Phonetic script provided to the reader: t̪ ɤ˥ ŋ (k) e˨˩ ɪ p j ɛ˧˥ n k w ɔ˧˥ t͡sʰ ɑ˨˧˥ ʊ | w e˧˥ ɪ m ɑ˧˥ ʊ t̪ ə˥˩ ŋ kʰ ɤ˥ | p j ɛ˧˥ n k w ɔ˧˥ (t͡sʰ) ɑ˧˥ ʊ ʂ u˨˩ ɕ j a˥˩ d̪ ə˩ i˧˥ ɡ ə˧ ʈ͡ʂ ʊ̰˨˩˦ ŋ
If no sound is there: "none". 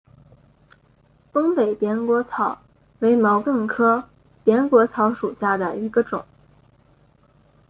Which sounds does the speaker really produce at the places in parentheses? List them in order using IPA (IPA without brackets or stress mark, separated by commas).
p, t͡sʰ